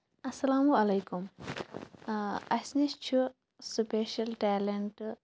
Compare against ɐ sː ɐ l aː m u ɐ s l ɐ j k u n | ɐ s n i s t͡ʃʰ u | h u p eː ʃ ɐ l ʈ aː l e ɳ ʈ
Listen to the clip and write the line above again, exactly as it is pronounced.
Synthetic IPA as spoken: ɐ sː ɐ l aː m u ɐ l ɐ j k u m | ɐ s n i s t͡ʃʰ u | s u p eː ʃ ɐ l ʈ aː l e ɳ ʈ